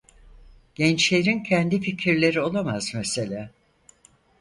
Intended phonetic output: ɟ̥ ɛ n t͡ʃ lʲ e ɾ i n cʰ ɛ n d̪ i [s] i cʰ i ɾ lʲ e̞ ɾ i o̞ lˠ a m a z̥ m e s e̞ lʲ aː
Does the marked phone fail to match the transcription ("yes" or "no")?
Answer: yes